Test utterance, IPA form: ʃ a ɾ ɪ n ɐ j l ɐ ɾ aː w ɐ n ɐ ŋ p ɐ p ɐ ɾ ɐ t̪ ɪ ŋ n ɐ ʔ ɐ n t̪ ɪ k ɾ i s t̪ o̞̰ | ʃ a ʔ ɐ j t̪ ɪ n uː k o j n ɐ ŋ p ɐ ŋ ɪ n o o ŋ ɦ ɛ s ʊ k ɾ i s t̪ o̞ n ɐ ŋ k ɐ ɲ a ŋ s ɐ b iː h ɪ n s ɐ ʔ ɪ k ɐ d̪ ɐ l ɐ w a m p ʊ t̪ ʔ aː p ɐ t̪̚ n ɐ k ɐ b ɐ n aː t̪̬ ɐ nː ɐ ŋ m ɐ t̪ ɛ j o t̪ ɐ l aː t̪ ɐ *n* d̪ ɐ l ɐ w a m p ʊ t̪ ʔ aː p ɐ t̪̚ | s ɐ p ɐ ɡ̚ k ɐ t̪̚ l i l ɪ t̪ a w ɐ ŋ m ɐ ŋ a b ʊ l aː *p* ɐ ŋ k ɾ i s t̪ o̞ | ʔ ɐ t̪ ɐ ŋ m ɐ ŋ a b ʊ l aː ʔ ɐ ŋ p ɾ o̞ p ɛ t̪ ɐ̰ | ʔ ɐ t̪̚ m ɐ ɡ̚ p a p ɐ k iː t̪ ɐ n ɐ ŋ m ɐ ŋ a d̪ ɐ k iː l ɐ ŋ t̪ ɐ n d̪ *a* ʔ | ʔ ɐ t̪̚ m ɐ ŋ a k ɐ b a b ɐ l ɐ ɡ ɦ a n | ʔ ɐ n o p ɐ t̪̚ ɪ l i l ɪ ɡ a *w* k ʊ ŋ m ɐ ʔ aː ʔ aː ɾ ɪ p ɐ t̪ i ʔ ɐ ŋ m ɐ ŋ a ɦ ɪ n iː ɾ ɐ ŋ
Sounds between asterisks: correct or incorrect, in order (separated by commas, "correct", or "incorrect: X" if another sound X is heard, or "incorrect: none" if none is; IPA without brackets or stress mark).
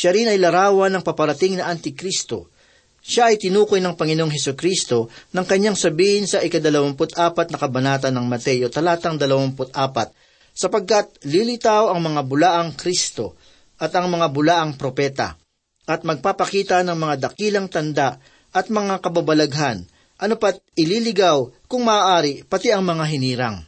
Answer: incorrect: ŋ, incorrect: ʔ, correct, correct